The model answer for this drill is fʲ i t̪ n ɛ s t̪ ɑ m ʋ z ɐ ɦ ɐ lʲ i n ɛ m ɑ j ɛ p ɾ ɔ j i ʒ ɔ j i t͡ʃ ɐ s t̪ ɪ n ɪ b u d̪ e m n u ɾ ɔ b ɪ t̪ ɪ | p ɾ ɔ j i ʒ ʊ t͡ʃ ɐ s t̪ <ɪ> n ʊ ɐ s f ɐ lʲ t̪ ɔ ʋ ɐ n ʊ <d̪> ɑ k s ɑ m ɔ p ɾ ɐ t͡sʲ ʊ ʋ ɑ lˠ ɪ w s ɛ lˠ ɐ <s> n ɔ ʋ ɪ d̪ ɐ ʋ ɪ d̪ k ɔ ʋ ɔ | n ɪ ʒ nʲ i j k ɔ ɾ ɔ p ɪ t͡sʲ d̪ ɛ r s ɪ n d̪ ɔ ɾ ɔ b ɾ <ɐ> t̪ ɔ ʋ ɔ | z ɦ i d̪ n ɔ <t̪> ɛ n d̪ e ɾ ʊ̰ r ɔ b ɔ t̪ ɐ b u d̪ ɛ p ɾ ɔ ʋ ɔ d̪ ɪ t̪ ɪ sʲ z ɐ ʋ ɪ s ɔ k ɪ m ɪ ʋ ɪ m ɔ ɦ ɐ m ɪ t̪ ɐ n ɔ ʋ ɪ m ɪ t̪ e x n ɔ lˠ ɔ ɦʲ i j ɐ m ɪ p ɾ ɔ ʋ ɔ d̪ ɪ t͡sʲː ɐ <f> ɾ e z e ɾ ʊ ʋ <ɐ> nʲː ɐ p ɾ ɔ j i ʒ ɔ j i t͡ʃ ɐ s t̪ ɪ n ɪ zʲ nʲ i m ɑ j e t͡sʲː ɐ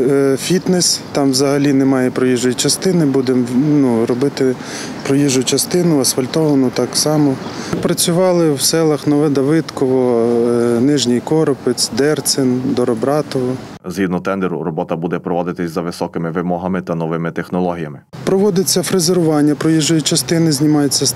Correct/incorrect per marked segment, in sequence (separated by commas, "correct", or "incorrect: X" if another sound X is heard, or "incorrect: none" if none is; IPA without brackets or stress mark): correct, incorrect: t̪, incorrect: x, incorrect: ɑ, correct, correct, incorrect: ɑ